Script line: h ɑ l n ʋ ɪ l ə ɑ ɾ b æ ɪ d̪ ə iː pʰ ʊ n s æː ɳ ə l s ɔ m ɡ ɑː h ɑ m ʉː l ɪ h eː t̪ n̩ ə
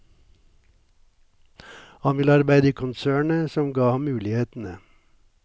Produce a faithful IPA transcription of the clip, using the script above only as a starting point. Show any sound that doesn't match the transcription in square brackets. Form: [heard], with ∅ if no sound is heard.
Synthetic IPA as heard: h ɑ [∅] n ʋ ɪ l ə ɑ ɾ b æ ɪ d̪ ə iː [kʰ] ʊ n s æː ɳ ə [∅] s ɔ m ɡ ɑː h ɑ m ʉː l ɪ h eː t̪ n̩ ə